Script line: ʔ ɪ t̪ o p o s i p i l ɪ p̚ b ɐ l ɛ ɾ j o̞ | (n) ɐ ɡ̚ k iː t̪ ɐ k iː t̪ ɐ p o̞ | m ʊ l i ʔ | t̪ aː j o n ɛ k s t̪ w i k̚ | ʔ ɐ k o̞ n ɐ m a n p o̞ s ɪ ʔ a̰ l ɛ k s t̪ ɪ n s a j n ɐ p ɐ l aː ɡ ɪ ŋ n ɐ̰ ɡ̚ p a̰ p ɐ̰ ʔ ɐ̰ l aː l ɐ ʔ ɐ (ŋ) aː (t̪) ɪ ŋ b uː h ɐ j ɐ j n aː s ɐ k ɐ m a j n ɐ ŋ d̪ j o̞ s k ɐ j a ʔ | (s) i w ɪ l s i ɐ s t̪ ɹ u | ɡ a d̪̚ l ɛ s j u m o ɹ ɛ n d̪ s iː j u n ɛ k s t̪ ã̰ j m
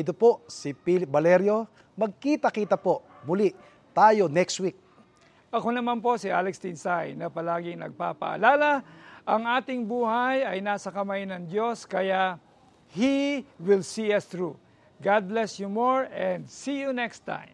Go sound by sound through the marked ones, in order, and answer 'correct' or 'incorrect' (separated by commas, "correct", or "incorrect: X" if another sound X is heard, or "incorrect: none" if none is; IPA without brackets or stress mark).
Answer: incorrect: m, correct, correct, incorrect: h